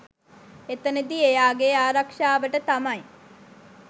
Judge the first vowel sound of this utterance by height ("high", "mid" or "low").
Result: mid